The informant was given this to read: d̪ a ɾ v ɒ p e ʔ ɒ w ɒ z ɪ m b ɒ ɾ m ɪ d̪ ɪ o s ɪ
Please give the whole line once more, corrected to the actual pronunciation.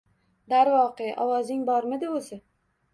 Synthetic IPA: d̪ a ɾ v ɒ q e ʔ ɒ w ɒ z ɪ ŋ b ɒ ɾ m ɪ d̪ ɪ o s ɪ